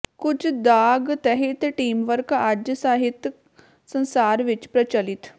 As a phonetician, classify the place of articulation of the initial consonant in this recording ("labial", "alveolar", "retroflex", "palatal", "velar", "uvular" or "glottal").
velar